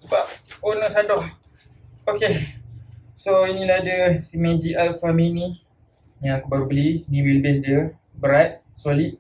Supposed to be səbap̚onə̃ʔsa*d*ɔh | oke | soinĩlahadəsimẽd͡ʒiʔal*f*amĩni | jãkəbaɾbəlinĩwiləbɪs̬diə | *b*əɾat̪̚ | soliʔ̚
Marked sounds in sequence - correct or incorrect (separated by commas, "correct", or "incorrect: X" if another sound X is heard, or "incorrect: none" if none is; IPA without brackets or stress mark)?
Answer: correct, correct, correct